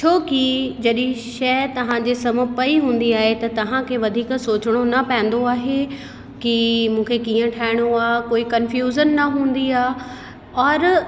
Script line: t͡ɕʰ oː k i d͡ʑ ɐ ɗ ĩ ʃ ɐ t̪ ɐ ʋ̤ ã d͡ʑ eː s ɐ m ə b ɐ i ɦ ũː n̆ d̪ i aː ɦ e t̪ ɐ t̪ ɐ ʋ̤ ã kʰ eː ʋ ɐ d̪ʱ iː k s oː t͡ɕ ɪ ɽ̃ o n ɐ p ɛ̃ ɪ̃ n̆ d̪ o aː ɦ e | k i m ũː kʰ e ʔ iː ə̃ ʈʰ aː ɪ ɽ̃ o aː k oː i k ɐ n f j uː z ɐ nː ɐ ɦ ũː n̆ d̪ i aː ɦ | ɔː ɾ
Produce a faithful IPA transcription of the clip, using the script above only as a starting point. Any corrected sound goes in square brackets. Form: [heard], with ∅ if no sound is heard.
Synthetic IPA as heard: t͡ɕʰ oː k i d͡ʑ ɐ ɗ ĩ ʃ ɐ t̪ ɐ ʋ̤ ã d͡ʑ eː s ɐ m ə [p] ɐ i ɦ ũː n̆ d̪ i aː ɦ e t̪ ɐ t̪ ɐ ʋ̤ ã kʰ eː ʋ ɐ d̪ʱ iː k s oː t͡ɕ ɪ ɽ̃ o n ɐ p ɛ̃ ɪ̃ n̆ d̪ o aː ɦ e | k i m ũː kʰ e [k] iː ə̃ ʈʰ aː ɪ ɽ̃ o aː k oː i k ɐ n f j uː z [ə] nː ɐ ɦ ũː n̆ d̪ i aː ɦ | ɔː ɾ

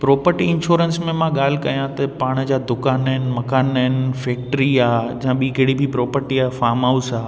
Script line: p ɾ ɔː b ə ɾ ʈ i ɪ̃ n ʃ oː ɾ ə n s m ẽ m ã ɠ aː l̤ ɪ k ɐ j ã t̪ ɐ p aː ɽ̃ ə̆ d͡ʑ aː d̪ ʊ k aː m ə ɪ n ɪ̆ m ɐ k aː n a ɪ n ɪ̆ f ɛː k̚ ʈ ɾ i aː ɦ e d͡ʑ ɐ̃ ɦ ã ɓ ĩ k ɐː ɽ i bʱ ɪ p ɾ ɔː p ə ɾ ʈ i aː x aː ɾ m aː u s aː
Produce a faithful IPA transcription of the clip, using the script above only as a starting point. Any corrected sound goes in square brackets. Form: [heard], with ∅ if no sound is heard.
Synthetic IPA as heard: p ɾ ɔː [p] ə ɾ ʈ i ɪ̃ n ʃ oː ɾ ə n s m ẽ m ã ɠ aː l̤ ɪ k ɐ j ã t̪ ɐ p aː ɽ̃ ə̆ d͡ʑ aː d̪ ʊ k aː [n] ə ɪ n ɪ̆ m ɐ k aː n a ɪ n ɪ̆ f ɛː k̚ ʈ ɾ i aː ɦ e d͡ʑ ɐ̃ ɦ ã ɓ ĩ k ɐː ɽ i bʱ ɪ p ɾ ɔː p ə ɾ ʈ i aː [f] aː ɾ m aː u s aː

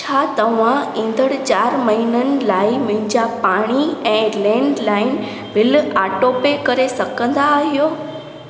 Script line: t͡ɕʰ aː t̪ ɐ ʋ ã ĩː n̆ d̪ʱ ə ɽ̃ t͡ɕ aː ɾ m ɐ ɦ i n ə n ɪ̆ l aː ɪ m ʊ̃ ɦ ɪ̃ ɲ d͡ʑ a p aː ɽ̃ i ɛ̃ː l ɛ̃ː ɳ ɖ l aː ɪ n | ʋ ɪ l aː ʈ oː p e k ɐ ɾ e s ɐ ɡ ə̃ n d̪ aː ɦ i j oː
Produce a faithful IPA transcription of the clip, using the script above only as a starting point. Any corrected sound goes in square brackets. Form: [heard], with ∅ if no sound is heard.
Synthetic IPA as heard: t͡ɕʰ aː t̪ ɐ ʋ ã ĩː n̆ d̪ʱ ə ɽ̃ t͡ɕ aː ɾ m ɐ ɦ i n ə n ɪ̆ l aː ɪ m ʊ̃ ɦ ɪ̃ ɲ d͡ʑ a p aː ɽ̃ i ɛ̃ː l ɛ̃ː ɳ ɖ l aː ɪ n | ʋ ɪ l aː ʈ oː p e k ɐ ɾ e s ɐ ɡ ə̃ n d̪ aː ɦ i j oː

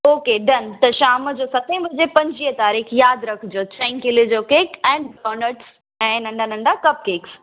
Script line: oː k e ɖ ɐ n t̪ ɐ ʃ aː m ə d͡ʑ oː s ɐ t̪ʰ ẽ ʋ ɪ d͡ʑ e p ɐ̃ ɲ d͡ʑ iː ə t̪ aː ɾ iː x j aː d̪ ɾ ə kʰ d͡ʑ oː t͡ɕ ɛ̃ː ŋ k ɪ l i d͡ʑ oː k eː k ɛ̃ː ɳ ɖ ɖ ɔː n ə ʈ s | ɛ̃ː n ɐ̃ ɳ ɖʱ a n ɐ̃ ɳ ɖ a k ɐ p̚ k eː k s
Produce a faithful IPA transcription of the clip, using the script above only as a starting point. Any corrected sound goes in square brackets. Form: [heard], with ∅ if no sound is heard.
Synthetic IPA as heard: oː k e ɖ ɐ n t̪ ɐ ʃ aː m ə d͡ʑ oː s ɐ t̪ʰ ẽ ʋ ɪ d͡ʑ e p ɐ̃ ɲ d͡ʑ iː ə t̪ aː ɾ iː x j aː d̪ ɾ [ɐ] kʰ d͡ʑ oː t͡ɕ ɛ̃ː ŋ k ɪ l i d͡ʑ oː k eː k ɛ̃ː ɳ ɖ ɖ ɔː n ə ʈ s | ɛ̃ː n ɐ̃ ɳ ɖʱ a n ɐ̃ ɳ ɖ a k ɐ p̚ k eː k s

